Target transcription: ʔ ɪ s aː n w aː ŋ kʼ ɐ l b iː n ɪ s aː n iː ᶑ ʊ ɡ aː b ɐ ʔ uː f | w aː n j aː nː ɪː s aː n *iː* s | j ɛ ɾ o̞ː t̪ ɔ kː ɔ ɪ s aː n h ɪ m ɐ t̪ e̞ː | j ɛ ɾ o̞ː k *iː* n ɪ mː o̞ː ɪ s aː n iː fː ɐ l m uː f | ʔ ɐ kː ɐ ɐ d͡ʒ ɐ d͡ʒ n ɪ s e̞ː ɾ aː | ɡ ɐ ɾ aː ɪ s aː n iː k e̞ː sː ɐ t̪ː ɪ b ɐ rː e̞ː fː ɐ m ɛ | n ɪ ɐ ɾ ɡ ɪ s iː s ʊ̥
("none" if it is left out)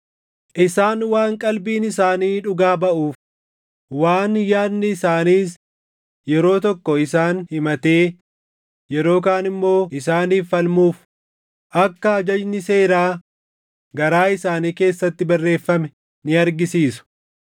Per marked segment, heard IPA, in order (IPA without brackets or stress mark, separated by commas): iː, aː